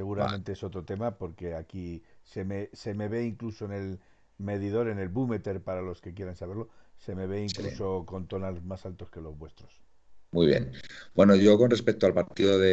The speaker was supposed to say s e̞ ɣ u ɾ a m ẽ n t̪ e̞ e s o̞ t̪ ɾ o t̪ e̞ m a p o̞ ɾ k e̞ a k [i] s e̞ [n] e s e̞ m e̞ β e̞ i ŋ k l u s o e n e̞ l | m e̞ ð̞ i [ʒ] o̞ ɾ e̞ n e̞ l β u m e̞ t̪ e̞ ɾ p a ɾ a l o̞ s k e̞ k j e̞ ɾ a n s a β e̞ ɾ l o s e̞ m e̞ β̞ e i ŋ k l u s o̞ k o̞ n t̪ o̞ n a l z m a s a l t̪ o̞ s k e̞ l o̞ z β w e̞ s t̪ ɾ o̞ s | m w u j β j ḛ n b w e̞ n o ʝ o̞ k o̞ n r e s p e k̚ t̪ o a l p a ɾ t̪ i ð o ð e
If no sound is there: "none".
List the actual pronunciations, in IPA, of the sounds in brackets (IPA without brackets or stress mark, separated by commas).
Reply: i, m, ð